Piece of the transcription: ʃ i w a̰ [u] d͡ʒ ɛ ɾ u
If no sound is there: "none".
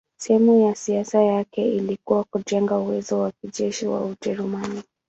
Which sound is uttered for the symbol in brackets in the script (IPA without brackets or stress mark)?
u